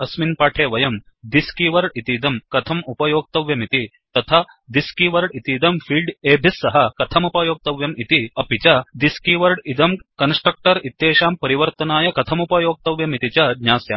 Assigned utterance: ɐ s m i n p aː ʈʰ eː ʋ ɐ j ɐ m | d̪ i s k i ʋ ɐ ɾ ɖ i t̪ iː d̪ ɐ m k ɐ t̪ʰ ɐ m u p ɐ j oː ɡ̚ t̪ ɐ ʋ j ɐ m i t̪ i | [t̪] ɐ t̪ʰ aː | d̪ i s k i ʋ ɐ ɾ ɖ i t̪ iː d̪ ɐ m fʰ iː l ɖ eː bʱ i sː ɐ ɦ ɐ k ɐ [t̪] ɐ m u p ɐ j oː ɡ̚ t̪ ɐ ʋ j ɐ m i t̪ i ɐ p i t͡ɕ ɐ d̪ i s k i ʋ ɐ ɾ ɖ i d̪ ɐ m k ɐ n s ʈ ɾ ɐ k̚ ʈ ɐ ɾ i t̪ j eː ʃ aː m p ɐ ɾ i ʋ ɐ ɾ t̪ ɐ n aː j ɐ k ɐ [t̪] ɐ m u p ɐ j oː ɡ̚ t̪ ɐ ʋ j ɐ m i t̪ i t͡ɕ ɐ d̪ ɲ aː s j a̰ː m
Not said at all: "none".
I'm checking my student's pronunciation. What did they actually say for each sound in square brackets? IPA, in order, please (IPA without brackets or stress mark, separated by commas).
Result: t̪, t̪ʰ, t̪ʰ